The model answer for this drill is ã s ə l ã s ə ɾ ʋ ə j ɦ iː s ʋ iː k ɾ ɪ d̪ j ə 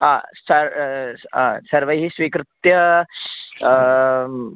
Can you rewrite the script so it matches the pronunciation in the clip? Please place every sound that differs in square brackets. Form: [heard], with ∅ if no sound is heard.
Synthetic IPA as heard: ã s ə [ɾ] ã s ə ɾ ʋ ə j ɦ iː s ʋ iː k ɾ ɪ [t̪] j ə